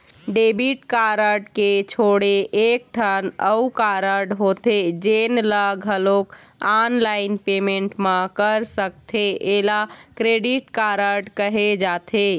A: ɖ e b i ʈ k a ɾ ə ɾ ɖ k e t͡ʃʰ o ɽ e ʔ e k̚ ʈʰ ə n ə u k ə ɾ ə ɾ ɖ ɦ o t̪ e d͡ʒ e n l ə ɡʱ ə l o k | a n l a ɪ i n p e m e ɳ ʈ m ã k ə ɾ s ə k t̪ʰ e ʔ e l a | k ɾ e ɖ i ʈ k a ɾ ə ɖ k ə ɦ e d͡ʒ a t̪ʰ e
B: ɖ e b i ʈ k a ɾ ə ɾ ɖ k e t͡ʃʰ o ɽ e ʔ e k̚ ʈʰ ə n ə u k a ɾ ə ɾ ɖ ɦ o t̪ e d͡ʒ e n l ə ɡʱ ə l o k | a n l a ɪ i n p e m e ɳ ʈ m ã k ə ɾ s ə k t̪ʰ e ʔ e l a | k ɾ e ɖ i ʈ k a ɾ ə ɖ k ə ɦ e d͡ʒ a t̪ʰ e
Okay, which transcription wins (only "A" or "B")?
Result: B